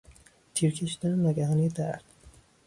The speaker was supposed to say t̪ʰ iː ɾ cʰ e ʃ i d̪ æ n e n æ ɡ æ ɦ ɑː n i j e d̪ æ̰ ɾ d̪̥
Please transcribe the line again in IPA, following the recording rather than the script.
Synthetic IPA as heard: t̪ʰ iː ɾ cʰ e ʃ i d̪ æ n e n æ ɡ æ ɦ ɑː n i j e d̪ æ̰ ɾ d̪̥